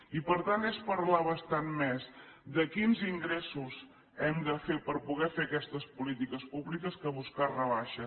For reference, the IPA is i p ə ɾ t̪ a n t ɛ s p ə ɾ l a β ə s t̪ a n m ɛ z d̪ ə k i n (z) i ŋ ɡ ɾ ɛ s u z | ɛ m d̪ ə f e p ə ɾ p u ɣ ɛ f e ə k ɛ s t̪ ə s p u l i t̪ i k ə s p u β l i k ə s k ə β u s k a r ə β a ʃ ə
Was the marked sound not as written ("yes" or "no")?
no